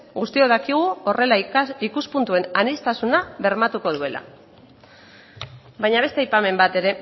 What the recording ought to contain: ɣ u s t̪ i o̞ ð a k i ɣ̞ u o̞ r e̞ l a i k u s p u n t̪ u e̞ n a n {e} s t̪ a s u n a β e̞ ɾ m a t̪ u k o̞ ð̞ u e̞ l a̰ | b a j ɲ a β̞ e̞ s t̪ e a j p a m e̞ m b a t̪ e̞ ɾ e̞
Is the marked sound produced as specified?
no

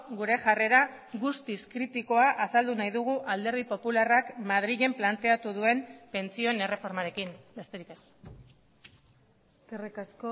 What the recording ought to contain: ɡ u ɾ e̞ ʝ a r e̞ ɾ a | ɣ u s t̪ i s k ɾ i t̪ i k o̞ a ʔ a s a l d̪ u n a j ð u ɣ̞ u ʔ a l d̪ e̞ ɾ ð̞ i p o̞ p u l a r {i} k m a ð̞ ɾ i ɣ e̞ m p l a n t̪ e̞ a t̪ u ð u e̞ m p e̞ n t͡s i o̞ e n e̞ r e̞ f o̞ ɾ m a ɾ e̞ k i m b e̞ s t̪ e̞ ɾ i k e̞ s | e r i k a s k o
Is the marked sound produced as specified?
no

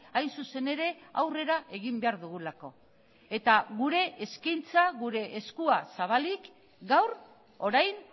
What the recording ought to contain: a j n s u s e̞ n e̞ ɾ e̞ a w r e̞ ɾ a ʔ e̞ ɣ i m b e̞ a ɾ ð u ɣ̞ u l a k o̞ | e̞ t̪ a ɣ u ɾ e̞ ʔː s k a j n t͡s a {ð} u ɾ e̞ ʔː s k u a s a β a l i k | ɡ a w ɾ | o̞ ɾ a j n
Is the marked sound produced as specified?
no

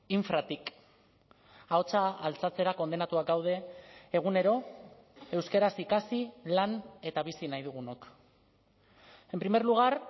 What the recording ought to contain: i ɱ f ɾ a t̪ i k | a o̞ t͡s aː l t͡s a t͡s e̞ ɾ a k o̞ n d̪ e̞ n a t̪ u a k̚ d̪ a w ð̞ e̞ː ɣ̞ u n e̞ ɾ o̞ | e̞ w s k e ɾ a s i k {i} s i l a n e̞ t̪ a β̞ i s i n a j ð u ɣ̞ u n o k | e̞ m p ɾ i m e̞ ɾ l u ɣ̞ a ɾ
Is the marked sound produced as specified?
no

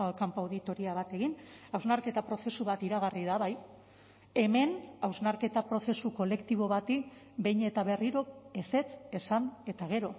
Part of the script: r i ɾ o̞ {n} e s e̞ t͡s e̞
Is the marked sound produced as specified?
no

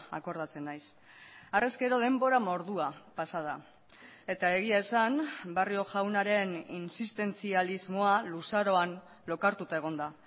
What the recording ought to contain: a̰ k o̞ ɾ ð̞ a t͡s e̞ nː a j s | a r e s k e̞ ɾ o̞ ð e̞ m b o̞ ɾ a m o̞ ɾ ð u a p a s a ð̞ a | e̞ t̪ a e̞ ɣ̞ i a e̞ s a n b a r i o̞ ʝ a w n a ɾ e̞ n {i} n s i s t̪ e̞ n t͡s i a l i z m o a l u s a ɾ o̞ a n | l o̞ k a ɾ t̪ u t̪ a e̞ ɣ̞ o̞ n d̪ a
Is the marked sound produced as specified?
yes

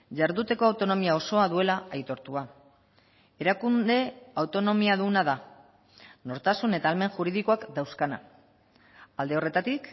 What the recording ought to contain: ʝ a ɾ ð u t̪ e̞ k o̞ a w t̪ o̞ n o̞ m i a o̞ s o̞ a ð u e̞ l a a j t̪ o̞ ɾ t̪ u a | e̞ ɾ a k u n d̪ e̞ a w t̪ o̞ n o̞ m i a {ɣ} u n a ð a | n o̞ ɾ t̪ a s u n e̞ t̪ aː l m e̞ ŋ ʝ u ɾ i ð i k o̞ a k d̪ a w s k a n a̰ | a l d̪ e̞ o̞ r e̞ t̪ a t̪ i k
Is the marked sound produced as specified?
no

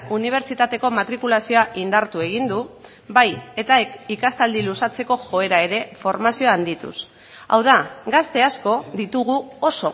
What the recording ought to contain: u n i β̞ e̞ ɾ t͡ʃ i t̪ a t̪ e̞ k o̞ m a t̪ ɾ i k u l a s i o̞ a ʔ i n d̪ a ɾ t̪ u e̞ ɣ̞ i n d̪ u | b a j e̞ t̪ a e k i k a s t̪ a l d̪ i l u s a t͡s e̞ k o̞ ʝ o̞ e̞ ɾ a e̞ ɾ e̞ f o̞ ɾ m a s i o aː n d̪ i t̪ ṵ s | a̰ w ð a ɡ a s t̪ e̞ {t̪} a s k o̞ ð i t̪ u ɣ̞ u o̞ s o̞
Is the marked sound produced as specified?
no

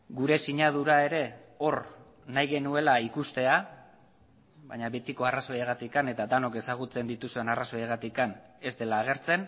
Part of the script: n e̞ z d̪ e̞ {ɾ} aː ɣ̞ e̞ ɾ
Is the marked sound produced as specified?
no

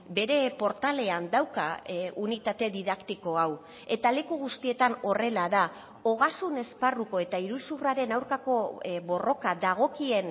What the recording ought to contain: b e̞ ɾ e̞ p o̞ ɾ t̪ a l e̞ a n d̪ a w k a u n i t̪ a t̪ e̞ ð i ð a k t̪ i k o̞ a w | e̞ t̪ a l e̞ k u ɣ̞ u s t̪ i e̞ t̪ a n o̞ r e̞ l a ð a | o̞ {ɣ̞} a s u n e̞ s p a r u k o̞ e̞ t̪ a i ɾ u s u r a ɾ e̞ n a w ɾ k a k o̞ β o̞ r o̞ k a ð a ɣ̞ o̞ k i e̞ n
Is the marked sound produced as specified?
yes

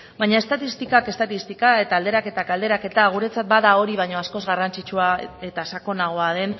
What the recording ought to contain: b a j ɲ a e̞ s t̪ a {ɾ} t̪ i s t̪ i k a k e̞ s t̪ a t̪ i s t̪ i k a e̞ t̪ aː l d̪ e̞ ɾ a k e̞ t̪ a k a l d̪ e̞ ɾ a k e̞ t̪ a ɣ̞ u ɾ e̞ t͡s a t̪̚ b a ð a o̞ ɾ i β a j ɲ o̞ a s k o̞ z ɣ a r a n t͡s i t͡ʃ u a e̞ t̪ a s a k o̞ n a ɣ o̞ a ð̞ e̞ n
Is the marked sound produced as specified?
no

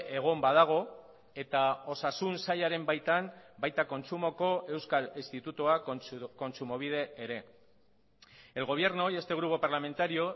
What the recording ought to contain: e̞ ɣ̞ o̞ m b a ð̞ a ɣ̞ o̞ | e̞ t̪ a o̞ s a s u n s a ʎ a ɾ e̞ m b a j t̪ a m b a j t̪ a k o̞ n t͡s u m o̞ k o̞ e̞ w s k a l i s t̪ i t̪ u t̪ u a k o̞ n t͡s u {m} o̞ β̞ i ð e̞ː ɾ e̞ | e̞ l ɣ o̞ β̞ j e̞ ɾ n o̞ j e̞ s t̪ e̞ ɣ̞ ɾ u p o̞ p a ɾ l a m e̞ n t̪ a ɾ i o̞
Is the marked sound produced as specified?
yes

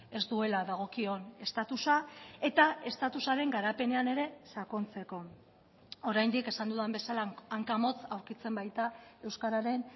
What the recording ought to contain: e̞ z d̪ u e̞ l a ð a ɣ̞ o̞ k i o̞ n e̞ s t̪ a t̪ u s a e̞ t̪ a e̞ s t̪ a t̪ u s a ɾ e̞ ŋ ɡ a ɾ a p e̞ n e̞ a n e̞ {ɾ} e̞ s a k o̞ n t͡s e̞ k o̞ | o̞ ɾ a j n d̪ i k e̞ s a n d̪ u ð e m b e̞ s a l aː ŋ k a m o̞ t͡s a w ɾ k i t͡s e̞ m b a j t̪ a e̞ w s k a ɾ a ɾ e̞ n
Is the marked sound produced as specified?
yes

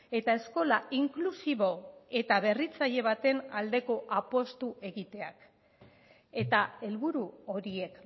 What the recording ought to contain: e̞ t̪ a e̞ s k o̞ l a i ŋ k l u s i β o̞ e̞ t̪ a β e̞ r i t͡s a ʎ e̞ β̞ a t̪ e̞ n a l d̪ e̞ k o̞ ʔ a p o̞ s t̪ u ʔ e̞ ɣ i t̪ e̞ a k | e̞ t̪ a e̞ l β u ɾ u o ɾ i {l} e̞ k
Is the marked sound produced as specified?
no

